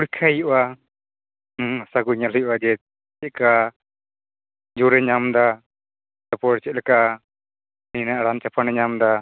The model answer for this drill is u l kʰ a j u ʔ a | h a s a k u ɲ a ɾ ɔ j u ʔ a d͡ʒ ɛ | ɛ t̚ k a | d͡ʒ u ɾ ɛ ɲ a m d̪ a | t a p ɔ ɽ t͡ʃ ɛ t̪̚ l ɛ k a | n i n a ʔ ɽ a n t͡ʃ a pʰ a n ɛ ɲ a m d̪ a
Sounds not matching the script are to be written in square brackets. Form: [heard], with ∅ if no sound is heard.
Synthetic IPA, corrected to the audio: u [ɽ] kʰ a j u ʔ a | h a s a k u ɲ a [l] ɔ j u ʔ a d͡ʒ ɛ | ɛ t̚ k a | d͡ʒ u ɾ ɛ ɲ a m d̪ a | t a p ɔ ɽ t͡ʃ ɛ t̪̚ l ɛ k a | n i n a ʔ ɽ a n t͡ʃ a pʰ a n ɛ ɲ a m d̪ a